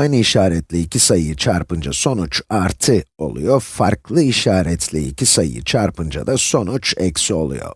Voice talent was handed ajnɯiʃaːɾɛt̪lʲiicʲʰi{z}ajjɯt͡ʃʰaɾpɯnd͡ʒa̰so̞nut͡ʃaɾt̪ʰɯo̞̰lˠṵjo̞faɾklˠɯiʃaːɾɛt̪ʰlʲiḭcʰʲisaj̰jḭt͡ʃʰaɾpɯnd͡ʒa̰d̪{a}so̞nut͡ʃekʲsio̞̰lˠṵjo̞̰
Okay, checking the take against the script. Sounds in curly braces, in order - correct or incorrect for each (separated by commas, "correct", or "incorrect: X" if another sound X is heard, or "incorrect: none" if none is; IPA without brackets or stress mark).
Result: incorrect: s, correct